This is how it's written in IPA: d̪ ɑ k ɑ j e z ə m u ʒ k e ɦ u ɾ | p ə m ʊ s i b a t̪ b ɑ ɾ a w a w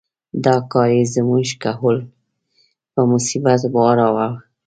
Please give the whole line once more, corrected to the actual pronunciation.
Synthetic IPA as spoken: d̪ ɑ k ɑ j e z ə m u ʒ k a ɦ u l | p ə m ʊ s i b a t̪ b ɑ ɾ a w a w